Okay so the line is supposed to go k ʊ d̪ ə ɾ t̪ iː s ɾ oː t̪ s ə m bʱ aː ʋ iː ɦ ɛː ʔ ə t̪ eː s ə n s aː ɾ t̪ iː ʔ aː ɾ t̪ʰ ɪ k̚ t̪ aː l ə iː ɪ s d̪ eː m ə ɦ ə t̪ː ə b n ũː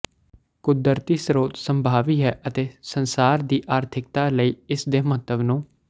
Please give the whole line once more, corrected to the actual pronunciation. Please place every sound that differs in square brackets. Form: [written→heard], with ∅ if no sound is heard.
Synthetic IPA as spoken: k ʊ d̪ ə ɾ t̪ iː s ɾ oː t̪ s ə m bʱ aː ʋ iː ɦ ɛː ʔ ə t̪ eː s ə n s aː ɾ [t̪→d̪] iː ʔ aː ɾ t̪ʰ ɪ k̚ t̪ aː l ə iː ɪ s d̪ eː m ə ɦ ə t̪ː ə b n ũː